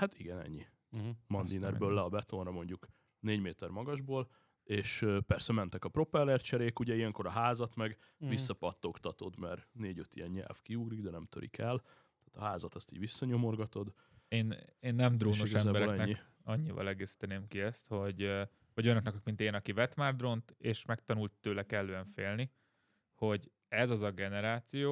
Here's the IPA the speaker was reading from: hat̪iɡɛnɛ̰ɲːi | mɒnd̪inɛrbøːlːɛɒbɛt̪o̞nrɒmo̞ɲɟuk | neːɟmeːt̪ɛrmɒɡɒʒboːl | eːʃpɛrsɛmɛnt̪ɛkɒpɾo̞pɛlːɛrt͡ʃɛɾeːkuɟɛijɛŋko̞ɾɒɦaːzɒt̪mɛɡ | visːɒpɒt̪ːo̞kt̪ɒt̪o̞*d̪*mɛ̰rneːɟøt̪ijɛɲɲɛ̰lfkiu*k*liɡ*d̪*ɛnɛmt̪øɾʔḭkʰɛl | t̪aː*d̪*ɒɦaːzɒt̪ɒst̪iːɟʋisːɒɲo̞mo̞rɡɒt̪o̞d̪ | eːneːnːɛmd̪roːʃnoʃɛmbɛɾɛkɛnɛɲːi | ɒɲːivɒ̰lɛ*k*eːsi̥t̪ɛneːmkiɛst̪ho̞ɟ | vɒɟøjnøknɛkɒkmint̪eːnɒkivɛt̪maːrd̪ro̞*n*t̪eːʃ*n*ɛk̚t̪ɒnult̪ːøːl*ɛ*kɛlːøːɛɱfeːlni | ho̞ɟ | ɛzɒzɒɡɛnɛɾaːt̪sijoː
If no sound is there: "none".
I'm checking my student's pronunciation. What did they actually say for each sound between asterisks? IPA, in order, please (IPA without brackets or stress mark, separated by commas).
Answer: d̪, ɡ, d̪, t̪, ɡ, n, m, ɛ